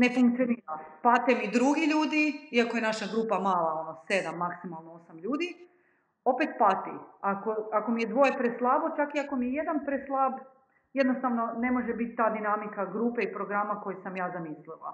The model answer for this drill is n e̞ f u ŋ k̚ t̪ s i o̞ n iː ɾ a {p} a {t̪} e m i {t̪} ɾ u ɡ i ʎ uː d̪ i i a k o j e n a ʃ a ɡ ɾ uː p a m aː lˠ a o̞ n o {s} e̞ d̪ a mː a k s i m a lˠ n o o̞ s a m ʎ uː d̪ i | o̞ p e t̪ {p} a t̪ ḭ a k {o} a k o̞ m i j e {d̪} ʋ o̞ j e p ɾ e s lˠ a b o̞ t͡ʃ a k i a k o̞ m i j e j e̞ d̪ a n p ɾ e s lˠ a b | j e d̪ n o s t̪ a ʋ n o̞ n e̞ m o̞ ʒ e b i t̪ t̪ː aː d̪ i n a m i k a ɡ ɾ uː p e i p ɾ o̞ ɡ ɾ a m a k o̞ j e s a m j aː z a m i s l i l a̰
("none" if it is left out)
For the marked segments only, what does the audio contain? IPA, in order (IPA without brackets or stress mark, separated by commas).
p, t̪, d̪, s, p, o, d̪